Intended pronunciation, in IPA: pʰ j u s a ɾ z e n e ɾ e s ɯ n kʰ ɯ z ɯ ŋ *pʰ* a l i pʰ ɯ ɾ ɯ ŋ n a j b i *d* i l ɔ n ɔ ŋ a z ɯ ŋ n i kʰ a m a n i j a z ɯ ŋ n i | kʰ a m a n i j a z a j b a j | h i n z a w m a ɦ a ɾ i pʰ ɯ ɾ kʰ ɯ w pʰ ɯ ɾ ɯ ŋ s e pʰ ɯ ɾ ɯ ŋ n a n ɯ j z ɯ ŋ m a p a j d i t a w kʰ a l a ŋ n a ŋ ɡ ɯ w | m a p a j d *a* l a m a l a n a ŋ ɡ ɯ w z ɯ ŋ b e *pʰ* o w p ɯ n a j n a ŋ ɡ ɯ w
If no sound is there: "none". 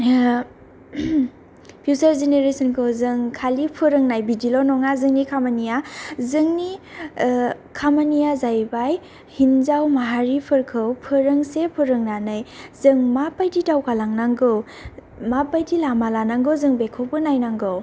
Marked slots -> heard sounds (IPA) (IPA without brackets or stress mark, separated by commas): kʰ, d, i, kʰ